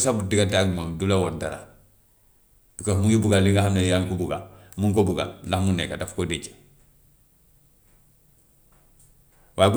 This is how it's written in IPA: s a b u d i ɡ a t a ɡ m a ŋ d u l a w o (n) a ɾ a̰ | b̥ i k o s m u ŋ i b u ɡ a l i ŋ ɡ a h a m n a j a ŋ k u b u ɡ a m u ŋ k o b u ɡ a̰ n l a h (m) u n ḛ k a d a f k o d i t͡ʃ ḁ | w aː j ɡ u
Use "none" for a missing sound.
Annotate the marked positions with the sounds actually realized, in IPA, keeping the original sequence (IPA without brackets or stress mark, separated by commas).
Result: d, m